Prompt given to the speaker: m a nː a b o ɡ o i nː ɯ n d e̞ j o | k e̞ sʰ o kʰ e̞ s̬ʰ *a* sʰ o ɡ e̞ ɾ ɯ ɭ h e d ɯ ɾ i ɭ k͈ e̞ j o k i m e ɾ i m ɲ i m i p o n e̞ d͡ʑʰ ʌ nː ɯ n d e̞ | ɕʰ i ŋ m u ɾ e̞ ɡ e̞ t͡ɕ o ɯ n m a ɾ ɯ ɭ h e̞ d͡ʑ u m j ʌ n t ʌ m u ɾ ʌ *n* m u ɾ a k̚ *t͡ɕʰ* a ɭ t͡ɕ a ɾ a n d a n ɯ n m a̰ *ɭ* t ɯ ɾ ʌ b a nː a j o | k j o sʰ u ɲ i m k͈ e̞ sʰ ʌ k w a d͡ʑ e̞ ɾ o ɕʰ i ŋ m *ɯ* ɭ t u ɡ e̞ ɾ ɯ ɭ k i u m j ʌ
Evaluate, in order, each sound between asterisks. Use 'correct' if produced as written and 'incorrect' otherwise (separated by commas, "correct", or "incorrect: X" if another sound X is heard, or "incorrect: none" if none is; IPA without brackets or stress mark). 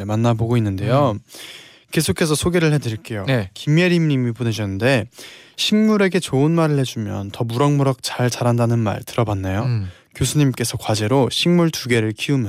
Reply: incorrect: ʌ, incorrect: ŋ, incorrect: t͡ɕ, correct, incorrect: u